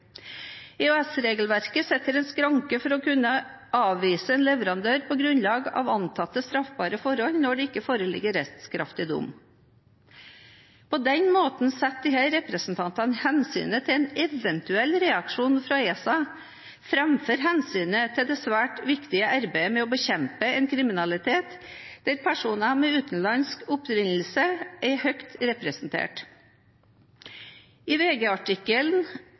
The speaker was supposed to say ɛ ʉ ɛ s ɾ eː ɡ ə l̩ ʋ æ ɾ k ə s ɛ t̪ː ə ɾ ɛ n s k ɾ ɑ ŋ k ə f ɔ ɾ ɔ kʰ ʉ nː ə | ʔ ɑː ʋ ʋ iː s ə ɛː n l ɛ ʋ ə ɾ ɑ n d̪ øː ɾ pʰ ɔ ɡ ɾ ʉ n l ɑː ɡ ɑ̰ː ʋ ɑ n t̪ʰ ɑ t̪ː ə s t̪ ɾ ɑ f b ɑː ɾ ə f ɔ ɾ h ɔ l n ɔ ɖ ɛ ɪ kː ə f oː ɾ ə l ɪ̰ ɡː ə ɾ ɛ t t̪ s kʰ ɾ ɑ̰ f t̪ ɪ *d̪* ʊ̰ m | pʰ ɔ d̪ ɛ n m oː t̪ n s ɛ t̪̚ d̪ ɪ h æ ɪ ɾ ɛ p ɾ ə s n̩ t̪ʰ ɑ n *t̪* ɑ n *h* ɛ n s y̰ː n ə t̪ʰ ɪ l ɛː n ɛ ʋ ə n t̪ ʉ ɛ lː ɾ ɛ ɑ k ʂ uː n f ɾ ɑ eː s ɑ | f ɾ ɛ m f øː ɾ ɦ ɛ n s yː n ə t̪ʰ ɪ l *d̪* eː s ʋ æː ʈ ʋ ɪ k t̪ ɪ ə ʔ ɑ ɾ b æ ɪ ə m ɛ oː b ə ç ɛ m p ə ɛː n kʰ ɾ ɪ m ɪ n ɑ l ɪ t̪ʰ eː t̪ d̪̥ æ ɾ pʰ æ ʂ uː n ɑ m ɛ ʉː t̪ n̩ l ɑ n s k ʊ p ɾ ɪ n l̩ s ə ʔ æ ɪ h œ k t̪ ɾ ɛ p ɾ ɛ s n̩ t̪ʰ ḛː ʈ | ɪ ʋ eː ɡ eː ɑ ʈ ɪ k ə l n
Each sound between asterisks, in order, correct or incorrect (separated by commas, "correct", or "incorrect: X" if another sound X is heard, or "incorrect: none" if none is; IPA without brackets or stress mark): correct, correct, correct, correct